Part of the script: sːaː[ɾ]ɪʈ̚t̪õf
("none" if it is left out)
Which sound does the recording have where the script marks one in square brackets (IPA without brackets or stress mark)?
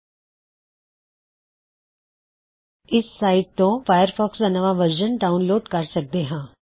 none